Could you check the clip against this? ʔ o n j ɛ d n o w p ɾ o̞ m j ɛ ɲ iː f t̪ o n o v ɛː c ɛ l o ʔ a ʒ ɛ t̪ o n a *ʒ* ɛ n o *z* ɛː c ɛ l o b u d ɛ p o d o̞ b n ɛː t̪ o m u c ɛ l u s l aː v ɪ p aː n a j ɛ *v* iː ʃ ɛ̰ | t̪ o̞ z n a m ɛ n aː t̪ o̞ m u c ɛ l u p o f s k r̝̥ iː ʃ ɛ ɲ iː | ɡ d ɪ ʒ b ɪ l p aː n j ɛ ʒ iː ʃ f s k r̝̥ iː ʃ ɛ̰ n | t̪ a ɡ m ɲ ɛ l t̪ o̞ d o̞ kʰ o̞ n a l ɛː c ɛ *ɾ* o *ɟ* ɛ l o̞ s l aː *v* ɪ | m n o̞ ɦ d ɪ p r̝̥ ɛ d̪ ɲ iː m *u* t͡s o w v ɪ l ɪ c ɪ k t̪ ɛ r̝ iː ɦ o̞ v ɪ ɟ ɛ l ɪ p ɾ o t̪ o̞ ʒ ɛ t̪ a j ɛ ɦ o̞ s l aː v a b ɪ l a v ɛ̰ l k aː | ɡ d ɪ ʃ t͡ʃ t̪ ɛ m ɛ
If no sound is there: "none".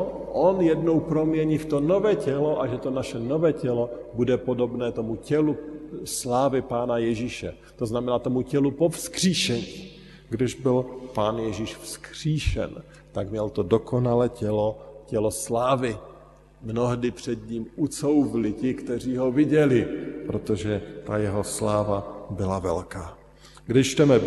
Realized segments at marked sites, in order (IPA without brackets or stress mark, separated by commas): ʃ, v, ʒ, l, c, v, u